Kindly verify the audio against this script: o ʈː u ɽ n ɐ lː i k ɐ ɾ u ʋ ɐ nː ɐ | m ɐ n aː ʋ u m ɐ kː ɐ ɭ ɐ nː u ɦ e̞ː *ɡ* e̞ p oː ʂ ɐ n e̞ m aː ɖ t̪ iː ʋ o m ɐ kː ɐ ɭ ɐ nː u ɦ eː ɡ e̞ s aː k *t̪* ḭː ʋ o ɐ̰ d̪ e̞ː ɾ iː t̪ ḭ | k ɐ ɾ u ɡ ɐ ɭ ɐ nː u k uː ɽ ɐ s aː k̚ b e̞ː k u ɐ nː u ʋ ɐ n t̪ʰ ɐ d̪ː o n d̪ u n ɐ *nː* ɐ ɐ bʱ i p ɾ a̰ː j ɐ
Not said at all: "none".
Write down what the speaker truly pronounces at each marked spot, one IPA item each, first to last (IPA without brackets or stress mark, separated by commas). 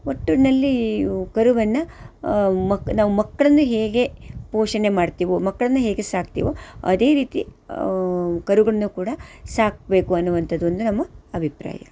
ɡ, t̪, mː